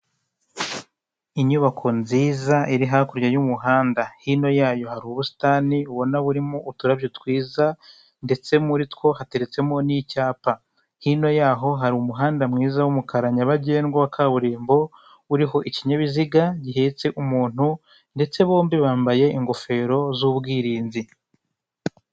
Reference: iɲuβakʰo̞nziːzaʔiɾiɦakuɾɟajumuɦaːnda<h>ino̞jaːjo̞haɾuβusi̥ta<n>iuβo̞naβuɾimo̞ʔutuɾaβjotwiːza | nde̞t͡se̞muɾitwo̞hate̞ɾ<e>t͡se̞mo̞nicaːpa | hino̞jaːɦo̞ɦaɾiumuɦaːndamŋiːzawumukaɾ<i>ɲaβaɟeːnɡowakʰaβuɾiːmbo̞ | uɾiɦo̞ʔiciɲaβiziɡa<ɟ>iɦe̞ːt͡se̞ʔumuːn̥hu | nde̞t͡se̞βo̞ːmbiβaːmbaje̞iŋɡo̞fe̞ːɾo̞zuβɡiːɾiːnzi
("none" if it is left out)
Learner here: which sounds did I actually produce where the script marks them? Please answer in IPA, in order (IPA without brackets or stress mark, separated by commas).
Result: h, n, e, a, ɟ